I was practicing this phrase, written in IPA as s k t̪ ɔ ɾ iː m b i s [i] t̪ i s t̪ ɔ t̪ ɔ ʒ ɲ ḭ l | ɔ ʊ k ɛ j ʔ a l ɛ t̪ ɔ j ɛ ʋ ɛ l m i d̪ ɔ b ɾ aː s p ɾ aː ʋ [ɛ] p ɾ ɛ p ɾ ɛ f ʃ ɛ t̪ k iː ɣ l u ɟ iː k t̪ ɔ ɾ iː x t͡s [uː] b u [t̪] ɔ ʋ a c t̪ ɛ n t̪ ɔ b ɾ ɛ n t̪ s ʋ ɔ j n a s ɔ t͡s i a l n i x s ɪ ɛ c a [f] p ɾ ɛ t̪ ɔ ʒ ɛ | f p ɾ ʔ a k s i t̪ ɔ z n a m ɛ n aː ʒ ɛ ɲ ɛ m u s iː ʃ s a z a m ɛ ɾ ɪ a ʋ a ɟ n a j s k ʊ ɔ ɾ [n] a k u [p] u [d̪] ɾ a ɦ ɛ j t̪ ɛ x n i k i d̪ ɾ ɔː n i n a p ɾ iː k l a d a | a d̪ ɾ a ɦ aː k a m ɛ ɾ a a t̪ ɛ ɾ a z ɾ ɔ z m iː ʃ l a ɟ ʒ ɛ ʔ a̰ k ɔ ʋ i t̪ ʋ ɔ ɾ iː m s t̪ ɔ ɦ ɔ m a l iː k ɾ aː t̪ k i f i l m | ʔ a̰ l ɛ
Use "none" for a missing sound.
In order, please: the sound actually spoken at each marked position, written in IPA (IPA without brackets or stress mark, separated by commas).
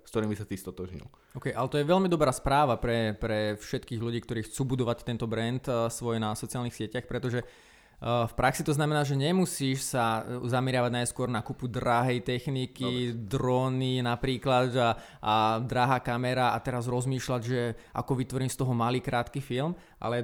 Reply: a, a, uː, d̪, x, n, p, d̪